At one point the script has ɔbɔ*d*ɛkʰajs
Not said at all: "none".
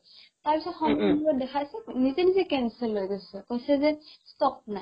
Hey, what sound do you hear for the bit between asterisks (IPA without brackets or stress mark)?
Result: d